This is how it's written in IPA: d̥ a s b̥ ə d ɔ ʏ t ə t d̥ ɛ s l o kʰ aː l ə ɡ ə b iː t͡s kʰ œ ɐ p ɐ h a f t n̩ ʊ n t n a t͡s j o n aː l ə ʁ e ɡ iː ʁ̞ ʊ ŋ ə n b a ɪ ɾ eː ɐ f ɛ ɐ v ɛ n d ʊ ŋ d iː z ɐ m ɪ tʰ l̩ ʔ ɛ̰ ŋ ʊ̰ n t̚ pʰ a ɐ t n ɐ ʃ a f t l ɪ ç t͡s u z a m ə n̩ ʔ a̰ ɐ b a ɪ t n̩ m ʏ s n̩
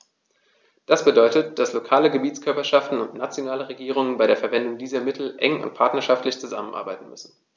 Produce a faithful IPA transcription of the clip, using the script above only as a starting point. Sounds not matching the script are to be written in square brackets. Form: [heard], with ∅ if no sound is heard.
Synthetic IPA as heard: d̥ a s b̥ ə d ɔ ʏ t ə t d̥ [a] s l o kʰ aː l ə ɡ ə b iː t͡s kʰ œ ɐ p ɐ [ʃ] a f t n̩ ʊ n t n a t͡s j o n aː l ə ʁ e ɡ iː ʁ̞ ʊ ŋ ə n b a ɪ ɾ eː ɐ f ɛ ɐ v ɛ n d ʊ ŋ d iː z ɐ m ɪ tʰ l̩ ʔ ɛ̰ ŋ ʊ̰ n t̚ pʰ a ɐ t n ɐ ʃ a f t l ɪ ç t͡s u z a m ə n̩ ʔ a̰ ɐ b a ɪ t n̩ m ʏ s n̩